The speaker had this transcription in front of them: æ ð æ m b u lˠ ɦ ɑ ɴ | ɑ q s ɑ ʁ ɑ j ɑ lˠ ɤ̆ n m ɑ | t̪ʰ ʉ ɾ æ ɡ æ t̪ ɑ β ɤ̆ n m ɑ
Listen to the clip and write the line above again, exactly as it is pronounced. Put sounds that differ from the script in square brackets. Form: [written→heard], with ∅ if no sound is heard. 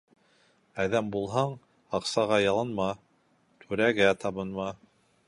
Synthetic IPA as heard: æ ð æ m b u lˠ ɦ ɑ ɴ | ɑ q s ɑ ʁ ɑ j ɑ lˠ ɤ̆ n m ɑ | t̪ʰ ʉ ɾ æ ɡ æ t̪ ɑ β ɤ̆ n m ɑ